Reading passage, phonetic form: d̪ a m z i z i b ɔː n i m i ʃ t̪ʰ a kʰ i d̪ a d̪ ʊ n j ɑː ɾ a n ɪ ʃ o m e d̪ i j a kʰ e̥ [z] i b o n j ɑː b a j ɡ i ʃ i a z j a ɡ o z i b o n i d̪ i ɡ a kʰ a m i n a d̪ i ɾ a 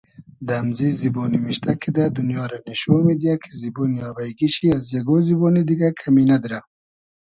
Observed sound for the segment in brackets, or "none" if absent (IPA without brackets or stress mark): z